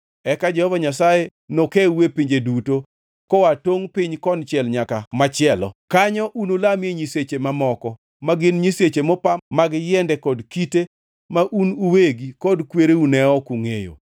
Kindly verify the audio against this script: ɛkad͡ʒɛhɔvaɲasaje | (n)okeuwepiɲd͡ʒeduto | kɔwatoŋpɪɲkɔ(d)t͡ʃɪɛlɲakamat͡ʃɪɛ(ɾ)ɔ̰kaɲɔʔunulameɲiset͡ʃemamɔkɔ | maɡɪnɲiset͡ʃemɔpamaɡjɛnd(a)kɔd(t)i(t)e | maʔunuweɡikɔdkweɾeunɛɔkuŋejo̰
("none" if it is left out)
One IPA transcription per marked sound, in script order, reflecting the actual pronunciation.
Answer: n, n, l, ɛ, k, t

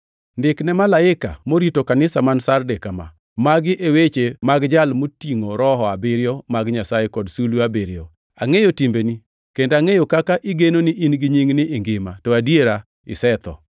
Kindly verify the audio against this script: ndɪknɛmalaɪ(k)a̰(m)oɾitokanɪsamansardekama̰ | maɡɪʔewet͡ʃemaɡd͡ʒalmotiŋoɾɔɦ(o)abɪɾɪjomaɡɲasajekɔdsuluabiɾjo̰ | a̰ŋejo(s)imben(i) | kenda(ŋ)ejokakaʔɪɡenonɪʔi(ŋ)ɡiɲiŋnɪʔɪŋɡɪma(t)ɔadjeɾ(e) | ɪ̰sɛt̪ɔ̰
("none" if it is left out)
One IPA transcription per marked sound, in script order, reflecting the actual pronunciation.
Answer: k, m, ɔ, t, i, ŋ, n, t, a

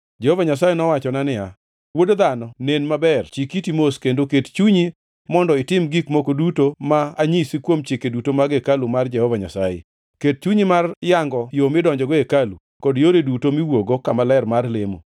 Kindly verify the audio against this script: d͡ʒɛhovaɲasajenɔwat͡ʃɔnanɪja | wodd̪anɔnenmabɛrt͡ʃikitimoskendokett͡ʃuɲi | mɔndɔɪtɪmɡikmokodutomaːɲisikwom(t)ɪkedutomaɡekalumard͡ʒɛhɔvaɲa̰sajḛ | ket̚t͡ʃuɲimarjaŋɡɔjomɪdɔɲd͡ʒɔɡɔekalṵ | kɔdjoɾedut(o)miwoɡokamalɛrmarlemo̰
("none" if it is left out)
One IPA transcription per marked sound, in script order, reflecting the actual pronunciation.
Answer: t͡ʃ, o

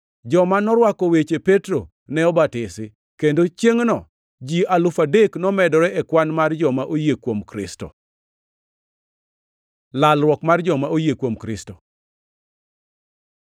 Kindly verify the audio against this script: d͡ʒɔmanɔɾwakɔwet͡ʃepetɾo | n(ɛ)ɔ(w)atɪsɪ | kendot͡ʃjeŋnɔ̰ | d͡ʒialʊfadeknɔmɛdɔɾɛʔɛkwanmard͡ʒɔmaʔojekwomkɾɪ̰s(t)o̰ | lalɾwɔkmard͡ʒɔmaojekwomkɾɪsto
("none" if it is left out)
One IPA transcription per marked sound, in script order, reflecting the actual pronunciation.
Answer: ɛ, b, t

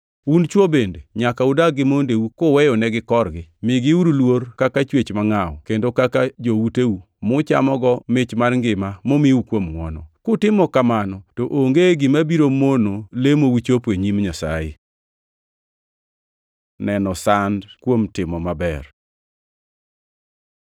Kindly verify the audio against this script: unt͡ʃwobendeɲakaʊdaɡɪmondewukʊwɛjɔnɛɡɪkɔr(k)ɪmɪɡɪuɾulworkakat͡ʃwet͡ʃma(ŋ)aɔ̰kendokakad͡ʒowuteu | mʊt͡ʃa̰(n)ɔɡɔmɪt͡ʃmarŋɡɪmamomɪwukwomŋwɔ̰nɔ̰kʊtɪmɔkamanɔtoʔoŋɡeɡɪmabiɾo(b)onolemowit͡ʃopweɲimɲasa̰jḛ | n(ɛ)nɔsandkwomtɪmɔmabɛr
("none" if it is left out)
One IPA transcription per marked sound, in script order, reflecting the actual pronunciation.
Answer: ɡ, ŋ, m, m, ɛ

